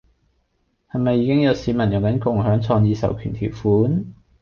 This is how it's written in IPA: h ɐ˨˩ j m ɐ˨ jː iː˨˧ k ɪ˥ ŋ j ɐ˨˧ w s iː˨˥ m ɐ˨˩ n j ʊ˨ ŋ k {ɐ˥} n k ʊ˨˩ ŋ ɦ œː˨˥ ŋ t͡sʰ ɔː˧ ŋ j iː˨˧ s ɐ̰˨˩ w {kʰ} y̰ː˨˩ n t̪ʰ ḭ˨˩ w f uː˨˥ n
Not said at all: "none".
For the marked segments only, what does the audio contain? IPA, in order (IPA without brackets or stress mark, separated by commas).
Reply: ɐ˨˥, kʰ